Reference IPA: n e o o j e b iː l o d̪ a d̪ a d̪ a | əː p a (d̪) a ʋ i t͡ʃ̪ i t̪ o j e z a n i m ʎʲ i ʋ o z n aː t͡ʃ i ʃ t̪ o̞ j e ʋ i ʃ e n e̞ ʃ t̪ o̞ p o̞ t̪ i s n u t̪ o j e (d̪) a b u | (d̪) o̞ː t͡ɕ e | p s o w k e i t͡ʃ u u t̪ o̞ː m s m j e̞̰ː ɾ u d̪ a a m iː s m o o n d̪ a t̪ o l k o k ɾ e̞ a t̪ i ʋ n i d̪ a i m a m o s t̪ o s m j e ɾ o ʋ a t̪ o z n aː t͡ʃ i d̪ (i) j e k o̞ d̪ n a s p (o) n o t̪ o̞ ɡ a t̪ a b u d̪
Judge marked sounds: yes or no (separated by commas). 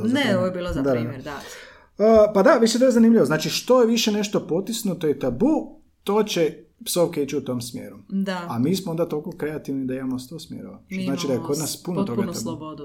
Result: yes, no, no, no, no